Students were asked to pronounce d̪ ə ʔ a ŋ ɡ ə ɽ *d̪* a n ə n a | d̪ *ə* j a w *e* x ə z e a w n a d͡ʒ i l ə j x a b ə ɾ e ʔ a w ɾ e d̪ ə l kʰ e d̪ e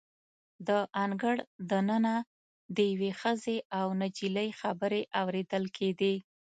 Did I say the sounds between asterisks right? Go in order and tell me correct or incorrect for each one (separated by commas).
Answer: correct, correct, correct